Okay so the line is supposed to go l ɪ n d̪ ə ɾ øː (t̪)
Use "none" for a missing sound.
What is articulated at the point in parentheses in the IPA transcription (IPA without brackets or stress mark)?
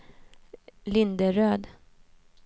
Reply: d̪